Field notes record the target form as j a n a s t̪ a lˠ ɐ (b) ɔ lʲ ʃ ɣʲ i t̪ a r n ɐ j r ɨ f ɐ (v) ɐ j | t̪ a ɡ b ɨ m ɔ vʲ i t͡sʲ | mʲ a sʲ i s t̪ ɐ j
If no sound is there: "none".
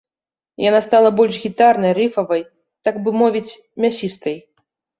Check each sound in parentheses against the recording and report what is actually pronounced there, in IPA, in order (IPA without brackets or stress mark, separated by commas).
b, v